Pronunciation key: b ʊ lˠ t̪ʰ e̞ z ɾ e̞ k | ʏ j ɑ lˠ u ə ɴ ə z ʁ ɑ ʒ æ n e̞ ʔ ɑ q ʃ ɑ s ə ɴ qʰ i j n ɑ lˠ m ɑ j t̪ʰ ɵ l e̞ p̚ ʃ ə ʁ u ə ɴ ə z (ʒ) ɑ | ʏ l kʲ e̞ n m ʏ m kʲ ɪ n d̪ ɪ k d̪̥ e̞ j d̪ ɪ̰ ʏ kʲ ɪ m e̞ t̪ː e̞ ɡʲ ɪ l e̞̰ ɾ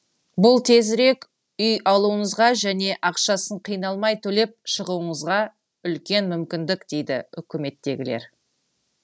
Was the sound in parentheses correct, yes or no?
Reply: no